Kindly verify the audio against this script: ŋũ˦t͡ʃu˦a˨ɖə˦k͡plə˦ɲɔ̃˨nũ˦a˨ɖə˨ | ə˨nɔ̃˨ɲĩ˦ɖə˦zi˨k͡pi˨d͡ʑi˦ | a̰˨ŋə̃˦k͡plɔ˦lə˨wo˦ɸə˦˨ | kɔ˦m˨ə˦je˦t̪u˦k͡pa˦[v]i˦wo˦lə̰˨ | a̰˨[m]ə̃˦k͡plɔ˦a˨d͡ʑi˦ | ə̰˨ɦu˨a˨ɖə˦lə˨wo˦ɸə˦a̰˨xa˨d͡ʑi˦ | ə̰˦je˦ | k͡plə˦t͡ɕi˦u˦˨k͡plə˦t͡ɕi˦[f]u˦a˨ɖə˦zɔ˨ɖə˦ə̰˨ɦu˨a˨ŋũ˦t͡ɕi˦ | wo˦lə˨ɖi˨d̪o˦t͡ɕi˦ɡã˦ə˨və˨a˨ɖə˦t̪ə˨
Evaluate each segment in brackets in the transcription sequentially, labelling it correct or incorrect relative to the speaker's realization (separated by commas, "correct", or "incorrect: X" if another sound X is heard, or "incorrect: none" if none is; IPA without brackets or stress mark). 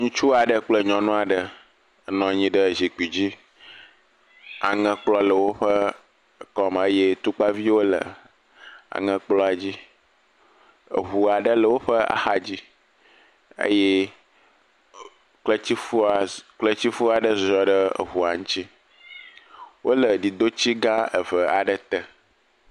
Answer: correct, incorrect: ŋ, correct